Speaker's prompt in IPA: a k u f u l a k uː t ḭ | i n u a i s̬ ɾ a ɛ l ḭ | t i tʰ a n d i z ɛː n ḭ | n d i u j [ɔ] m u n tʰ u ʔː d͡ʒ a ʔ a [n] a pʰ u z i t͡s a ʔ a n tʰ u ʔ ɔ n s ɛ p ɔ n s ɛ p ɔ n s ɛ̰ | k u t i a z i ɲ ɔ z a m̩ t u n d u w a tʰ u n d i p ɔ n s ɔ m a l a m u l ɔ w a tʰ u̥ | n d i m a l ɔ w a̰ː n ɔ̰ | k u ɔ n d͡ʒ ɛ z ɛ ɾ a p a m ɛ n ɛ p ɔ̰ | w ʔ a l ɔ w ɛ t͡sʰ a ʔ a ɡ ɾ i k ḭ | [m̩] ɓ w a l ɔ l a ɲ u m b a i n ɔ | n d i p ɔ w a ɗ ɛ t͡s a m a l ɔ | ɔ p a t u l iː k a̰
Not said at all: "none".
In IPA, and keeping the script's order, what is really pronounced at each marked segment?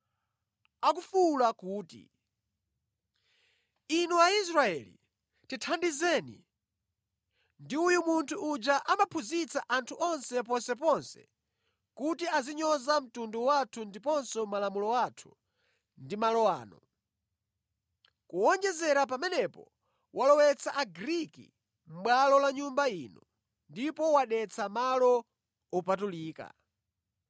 u, m, m̩

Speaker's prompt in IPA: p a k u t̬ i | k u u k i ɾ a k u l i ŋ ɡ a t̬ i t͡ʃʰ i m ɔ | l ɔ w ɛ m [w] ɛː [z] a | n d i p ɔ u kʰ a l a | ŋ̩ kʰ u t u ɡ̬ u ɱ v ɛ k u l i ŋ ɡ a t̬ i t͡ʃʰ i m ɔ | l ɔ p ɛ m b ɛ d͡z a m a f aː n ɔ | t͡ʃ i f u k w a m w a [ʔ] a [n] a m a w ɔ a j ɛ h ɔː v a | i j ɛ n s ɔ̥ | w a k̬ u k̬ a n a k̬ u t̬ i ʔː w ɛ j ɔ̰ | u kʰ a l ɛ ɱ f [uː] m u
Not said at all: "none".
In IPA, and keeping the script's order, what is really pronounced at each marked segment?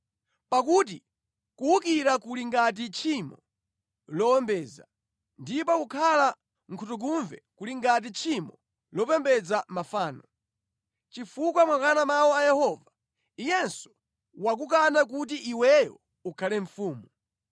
b, z, k, n, uː

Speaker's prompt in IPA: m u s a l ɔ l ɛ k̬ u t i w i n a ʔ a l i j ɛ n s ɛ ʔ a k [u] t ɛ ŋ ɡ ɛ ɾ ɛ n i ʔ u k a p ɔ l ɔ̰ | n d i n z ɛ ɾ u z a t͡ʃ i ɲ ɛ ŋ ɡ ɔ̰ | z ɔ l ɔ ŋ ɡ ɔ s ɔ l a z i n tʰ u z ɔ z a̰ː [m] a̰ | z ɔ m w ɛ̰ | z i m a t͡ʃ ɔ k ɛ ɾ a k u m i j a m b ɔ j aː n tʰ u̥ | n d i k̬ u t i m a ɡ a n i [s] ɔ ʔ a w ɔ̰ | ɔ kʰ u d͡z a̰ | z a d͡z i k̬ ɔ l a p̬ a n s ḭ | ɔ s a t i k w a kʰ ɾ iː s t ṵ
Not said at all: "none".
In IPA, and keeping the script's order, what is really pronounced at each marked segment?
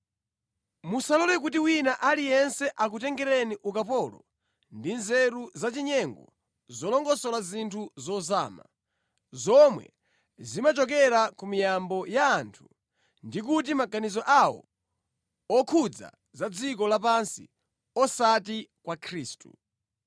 u, m, z

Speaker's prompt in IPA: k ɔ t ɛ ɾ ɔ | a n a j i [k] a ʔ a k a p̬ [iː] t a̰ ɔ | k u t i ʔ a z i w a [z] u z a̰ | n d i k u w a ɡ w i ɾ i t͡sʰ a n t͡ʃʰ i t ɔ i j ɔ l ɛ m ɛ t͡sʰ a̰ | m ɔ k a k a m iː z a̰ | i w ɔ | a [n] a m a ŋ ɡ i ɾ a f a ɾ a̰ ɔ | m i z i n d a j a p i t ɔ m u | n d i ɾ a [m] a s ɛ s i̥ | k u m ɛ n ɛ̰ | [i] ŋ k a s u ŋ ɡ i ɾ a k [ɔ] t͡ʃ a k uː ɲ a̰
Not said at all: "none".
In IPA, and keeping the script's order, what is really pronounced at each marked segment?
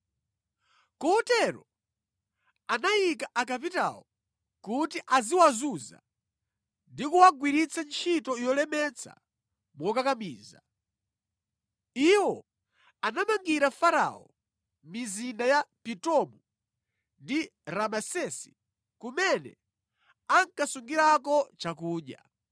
k, i, z, n, m, a, ɔ

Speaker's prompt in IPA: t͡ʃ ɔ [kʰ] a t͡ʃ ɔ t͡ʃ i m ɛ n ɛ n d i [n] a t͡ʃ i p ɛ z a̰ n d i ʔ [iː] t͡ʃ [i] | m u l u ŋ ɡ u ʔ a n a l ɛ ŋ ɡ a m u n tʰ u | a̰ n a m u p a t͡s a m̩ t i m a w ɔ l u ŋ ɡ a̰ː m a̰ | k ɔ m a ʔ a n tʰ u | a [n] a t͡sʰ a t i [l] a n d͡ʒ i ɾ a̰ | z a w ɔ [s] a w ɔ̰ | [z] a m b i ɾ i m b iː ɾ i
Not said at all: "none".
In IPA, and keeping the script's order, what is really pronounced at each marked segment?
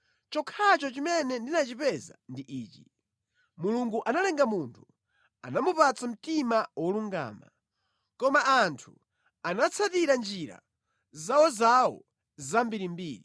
kʰ, n, iː, i, n, ɾ, z, z

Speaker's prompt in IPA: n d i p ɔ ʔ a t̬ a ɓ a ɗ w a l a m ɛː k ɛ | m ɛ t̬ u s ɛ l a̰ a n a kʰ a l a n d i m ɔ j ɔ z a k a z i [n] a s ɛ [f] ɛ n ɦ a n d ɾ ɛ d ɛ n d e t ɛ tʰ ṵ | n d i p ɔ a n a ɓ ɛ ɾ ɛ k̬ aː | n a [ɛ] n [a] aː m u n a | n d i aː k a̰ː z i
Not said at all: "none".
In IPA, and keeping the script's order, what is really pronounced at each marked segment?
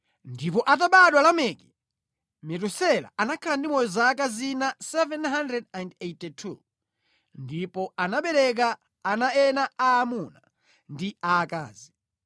n, v, ɛ, a

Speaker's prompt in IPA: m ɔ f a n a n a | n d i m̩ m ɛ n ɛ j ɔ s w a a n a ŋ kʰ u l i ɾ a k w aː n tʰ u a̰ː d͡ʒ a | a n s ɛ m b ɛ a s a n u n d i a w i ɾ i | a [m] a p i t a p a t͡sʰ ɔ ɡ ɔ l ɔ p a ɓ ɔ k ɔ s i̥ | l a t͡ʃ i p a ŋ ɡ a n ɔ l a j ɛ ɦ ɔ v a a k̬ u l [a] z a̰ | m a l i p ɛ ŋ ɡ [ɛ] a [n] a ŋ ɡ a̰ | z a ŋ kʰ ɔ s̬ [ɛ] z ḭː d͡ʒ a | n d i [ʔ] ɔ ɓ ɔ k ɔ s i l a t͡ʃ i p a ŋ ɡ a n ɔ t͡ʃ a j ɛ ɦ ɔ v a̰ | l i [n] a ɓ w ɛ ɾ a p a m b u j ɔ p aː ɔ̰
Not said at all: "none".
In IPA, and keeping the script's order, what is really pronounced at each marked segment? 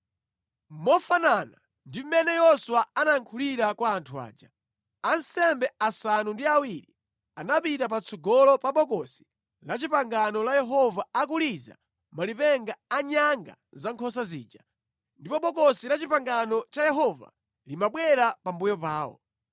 n, i, a, ɲ, a, p, m

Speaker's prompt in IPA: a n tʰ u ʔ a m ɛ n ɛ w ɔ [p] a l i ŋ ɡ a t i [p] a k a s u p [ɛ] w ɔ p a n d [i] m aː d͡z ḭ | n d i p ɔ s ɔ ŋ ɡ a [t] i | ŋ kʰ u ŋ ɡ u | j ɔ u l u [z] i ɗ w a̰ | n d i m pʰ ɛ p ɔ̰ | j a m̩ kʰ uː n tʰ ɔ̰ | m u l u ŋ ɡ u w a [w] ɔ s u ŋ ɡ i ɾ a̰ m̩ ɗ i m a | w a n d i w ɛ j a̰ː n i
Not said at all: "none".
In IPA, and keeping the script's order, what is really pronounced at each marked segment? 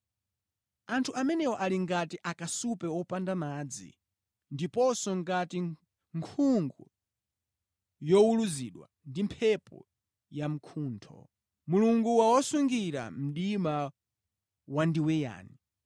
ʔ, ʔ, ɛ, a, t, z, w

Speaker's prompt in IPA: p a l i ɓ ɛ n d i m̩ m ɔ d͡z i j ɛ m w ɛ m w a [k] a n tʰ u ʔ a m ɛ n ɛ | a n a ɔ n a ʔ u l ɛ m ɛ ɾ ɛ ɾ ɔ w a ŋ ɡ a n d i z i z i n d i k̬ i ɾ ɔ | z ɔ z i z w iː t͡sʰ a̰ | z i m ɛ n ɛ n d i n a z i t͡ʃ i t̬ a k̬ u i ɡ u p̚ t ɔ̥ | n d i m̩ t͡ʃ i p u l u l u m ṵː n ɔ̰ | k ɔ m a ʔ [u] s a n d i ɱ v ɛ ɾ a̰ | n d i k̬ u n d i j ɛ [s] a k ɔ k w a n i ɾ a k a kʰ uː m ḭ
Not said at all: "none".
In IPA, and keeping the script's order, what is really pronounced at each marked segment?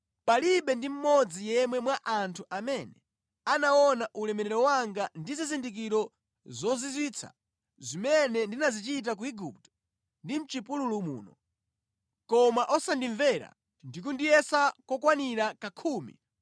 ʔ, ɔ, s

